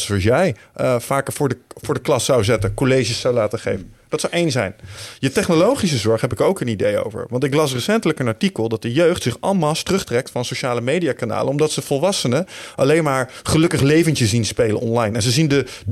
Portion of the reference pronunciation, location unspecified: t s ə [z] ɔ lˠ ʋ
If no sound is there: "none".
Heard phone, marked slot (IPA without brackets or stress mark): v